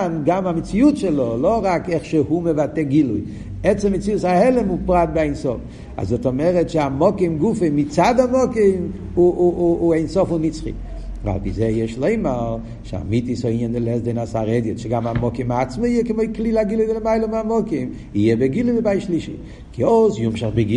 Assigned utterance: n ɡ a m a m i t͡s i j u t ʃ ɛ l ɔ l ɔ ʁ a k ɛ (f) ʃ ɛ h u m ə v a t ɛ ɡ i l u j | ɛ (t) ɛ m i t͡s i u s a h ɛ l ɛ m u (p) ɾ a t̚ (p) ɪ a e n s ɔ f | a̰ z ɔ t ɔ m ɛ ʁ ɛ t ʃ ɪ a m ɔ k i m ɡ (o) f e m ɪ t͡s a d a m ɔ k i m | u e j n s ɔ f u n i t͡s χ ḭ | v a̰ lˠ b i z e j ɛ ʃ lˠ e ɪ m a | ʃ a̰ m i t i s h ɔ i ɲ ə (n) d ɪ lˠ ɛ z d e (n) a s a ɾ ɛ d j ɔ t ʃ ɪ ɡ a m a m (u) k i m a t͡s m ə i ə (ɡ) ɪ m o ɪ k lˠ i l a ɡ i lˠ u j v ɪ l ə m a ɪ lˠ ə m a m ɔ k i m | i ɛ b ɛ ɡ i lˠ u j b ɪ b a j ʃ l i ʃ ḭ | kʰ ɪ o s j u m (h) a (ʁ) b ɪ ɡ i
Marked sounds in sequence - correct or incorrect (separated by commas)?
incorrect, incorrect, correct, incorrect, incorrect, correct, correct, incorrect, incorrect, incorrect, incorrect